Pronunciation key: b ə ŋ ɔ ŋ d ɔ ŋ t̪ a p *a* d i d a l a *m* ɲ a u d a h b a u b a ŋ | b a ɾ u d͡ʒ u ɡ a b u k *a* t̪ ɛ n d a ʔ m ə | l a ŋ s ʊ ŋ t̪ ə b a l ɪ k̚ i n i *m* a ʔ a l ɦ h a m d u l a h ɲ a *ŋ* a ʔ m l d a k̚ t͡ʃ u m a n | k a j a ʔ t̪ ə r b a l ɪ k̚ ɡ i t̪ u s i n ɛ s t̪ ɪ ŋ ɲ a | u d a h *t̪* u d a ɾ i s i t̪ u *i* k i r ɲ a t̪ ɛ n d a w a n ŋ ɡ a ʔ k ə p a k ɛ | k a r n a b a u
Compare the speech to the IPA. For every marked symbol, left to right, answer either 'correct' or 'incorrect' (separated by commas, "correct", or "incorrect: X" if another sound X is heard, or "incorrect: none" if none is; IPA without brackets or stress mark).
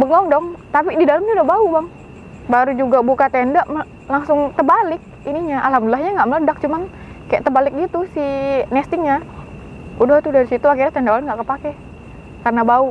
incorrect: i, correct, correct, incorrect: ɲ, correct, correct, incorrect: a